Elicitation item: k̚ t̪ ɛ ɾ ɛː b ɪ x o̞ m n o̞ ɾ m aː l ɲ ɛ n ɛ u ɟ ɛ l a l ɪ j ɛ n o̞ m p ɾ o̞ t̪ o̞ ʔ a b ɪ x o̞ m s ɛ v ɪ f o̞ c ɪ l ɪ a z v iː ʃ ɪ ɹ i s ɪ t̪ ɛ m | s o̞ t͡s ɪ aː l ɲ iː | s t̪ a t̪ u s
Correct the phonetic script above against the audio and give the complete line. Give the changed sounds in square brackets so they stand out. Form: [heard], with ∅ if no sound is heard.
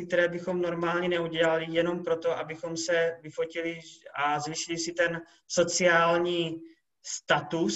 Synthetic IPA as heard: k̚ t̪ ɛ ɾ ɛː b ɪ x o̞ m n o̞ ɾ m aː l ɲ ɛ n ɛ u ɟ ɛ l a l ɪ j ɛ n o̞ m p ɾ o̞ t̪ o̞ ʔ a b ɪ x o̞ m s ɛ v ɪ f o̞ c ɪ l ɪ a z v iː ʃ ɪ [l] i s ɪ t̪ ɛ [n] | s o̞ t͡s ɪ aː l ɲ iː | s t̪ a t̪ u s